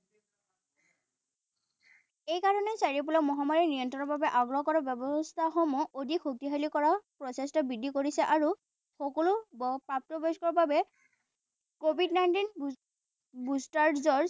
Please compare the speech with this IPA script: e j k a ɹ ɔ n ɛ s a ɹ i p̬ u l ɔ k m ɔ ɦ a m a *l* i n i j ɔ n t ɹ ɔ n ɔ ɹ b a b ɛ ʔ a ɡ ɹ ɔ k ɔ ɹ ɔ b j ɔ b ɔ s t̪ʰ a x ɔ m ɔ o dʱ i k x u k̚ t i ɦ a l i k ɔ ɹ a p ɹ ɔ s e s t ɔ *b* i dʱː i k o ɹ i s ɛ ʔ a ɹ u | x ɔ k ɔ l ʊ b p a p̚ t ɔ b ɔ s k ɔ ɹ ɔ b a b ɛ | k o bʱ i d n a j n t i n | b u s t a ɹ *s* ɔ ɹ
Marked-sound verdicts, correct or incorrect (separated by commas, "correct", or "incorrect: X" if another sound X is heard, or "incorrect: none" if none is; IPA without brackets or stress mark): incorrect: ɹ, correct, incorrect: z